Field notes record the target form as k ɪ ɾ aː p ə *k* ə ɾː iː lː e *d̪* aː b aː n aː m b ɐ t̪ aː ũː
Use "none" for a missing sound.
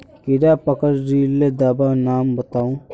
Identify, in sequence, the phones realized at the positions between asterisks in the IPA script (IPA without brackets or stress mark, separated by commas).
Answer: k, d̪